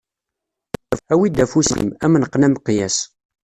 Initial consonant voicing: voiced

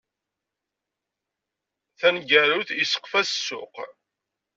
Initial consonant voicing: voiceless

